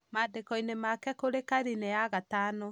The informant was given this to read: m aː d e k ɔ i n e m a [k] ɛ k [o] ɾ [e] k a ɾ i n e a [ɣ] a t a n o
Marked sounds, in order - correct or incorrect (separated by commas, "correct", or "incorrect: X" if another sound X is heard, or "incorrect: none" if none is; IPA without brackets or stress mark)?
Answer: correct, correct, correct, correct